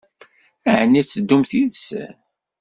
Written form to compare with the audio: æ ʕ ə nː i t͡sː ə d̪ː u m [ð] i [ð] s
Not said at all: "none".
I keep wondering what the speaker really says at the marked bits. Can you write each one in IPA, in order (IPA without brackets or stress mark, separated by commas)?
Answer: θ, ð